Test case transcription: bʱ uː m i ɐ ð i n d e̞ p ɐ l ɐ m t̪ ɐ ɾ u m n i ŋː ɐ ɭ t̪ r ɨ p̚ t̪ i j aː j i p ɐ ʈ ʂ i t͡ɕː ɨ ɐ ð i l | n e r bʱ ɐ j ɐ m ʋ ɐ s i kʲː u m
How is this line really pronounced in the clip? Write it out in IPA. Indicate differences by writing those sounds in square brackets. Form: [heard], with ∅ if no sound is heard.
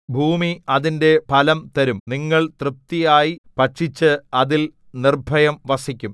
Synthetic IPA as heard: bʱ uː m i ɐ ð i n d e̞ p ɐ l ɐ m t̪ ɐ ɾ u m n i ŋː ɐ ɭ t̪ r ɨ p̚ t̪ i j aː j i p ɐ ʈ ʂ i t͡ɕː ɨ ɐ ð i l | n [i] r bʱ ɐ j ɐ m ʋ ɐ s i kʲː u m